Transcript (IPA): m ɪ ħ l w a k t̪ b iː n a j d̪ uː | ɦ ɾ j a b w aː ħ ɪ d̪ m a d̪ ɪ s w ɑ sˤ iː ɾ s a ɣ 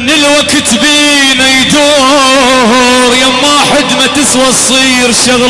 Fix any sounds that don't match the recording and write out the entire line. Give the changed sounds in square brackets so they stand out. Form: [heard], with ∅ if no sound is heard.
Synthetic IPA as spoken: [n] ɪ [∅] l w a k t̪ b iː n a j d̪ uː | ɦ ɾ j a [m] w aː ħ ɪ d̪ m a [t̪] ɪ s w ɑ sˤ iː ɾ [ʃ] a ɣ